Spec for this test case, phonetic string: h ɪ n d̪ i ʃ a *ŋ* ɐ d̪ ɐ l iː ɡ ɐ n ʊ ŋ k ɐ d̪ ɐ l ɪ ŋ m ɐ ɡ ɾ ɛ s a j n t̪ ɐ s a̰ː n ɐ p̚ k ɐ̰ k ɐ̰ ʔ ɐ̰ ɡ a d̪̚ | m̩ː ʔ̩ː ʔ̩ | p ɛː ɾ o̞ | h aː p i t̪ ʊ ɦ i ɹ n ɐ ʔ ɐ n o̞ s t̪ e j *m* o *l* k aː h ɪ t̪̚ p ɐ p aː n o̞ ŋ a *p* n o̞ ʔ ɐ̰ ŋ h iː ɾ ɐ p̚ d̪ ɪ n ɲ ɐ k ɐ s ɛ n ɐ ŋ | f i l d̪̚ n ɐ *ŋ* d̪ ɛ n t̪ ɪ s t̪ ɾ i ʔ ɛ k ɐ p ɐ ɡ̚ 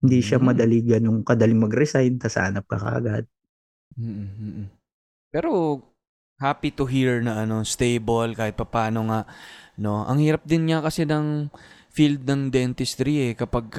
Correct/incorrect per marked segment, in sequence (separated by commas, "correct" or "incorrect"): incorrect, incorrect, correct, incorrect, correct